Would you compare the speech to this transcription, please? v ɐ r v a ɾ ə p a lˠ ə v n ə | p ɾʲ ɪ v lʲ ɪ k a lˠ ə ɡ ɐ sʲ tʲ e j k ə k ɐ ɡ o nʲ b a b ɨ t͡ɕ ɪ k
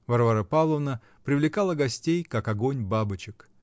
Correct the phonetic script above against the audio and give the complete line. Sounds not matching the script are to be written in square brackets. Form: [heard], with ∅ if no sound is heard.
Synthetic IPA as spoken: v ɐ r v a ɾ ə p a lˠ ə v n ə | p ɾʲ ɪ v lʲ ɪ k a lˠ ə ɡ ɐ sʲ tʲ e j k [a] k ɐ ɡ o nʲ b a b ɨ t͡ɕ ɪ k